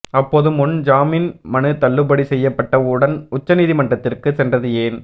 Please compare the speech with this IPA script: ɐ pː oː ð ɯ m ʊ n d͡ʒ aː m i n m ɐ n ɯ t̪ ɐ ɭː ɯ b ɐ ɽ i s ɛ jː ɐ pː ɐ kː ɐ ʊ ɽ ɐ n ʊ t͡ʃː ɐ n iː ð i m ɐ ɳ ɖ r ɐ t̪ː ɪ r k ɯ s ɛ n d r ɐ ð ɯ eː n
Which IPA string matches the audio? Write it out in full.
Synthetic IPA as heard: ɐ pː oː ð ɯ m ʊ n d͡ʒ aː m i n m ɐ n ɯ t̪ ɐ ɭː ɯ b ɐ ɽ i s ɛ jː ɐ pː ɐ ʈː ɐ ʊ ɽ ɐ n ʊ t͡ʃː ɐ n iː ð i m ɐ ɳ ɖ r ɐ t̪ː ɪ r k ɯ s ɛ n d r ɐ ð ɯ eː n